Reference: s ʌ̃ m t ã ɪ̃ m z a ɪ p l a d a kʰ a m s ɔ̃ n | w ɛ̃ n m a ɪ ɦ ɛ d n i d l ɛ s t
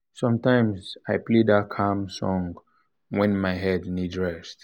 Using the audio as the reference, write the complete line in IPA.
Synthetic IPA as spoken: s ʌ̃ m t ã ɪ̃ m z a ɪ p l e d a kʰ a m s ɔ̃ ŋ | w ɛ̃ n m a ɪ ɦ ɛ d n i d ɹ ɛ s t